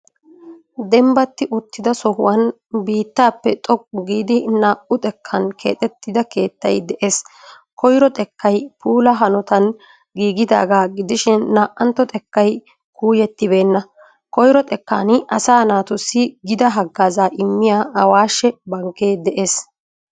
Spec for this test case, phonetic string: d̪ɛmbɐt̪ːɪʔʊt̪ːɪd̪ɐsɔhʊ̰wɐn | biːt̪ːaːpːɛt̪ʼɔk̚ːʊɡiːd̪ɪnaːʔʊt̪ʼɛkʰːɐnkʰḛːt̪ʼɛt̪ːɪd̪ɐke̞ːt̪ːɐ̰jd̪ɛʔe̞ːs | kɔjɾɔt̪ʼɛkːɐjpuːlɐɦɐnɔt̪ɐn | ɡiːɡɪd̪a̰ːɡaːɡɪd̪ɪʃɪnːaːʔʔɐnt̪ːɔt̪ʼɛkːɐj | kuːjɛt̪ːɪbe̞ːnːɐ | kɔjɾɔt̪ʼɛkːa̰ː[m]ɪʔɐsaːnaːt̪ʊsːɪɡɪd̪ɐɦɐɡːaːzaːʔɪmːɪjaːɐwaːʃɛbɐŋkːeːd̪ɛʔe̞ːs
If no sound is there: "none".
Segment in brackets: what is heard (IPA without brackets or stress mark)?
n